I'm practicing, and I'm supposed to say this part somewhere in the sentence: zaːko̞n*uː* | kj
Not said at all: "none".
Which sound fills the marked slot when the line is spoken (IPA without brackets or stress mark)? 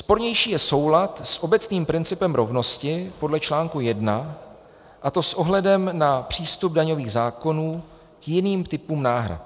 uː